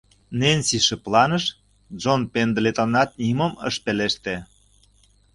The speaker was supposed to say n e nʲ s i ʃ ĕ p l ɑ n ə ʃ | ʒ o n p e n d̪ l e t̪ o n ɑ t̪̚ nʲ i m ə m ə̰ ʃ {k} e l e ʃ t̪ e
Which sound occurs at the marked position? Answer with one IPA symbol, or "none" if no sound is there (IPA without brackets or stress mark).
p